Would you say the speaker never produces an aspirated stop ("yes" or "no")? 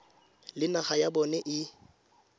yes